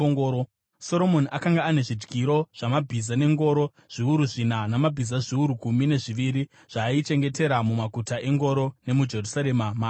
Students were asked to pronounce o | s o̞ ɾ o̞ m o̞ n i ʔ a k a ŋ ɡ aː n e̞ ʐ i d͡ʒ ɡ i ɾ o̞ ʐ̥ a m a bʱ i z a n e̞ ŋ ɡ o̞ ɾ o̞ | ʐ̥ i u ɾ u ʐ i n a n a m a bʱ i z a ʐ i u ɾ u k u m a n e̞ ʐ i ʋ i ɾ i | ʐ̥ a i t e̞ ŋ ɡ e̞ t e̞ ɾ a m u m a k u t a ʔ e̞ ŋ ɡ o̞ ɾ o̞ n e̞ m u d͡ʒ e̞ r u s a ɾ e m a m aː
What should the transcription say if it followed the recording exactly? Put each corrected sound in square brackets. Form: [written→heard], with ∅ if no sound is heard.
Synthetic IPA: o | s o̞ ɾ o̞ m o̞ n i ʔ a k a ŋ ɡ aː n e̞ ʐ i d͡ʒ ɡ i ɾ o̞ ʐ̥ a m a bʱ i z a n e̞ ŋ ɡ o̞ ɾ o̞ | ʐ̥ i u ɾ u ʐ i n a n a m a bʱ i z a ʐ i u ɾ u k u m [a→i] n e̞ ʐ i ʋ i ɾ i | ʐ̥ a i [t→t͡ʃ] e̞ ŋ ɡ e̞ t e̞ ɾ a m u m a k u t a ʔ e̞ ŋ ɡ o̞ ɾ o̞ n e̞ m u d͡ʒ e̞ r u s a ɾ e m a m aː